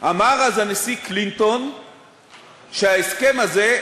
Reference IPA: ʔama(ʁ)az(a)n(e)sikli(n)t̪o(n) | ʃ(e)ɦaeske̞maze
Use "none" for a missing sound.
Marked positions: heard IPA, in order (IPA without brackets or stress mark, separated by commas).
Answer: ʁ, a, e, n, n, e